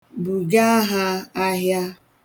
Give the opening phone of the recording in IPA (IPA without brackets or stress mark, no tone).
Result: b